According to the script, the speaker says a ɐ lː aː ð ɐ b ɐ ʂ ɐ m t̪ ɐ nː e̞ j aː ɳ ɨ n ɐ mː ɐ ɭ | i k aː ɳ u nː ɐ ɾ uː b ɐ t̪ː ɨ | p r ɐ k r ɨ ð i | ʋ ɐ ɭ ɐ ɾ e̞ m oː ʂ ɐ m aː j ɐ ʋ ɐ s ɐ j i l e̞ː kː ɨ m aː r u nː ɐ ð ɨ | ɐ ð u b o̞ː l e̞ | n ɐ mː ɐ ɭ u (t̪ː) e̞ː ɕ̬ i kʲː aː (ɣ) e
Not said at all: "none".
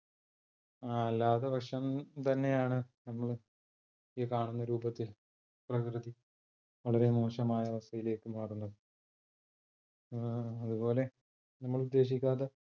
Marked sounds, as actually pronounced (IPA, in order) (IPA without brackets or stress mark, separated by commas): d̪ː, ð